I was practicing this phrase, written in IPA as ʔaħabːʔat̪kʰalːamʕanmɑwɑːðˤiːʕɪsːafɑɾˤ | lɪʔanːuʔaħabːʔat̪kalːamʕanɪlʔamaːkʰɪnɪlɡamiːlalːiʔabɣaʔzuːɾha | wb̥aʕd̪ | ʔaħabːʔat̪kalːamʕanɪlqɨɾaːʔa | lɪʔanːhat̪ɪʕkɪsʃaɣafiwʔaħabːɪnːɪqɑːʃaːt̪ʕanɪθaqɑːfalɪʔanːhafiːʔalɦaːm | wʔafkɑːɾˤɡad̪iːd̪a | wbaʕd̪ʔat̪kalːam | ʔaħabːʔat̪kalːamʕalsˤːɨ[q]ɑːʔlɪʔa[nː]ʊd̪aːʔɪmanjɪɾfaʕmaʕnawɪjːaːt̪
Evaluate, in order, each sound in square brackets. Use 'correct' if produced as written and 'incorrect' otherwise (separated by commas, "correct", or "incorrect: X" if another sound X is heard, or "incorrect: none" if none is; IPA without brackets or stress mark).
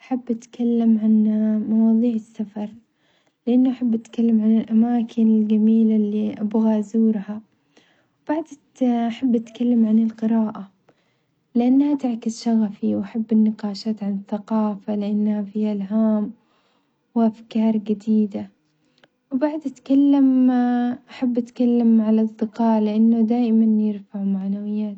correct, correct